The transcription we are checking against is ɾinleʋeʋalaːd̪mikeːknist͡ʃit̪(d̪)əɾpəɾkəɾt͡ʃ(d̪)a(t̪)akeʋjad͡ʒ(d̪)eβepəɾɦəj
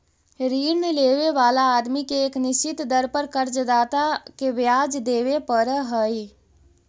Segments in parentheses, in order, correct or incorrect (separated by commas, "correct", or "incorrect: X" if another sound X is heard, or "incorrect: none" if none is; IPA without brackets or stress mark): correct, correct, correct, correct